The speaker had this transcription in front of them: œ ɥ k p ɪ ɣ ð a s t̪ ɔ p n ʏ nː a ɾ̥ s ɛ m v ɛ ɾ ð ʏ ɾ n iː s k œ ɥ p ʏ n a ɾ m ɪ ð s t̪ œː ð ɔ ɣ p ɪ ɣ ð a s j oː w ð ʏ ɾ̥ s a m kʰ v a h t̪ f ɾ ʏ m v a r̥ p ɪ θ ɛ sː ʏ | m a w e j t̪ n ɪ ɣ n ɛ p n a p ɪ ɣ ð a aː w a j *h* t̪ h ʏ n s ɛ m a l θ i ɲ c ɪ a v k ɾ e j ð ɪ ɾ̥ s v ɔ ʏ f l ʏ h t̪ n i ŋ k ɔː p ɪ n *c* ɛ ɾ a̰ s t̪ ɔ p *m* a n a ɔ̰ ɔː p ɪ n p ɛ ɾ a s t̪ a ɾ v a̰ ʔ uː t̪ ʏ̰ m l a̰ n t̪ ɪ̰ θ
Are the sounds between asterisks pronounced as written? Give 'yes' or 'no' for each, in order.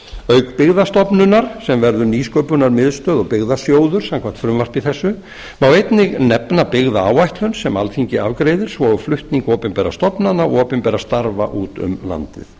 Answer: yes, no, no

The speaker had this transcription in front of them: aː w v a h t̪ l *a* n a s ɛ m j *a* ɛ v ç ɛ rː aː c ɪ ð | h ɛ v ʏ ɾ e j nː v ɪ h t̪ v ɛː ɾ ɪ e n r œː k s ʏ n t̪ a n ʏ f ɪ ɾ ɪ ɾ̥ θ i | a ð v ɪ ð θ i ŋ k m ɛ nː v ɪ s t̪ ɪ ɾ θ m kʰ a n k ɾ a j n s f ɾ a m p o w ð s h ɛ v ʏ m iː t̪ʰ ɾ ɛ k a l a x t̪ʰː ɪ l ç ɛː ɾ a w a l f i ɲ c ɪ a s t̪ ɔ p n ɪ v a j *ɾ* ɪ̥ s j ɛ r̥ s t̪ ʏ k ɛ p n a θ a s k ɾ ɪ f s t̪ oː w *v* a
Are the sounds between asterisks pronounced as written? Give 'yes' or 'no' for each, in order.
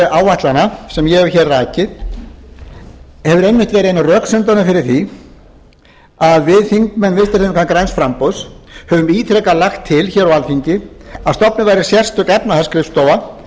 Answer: yes, no, yes, yes

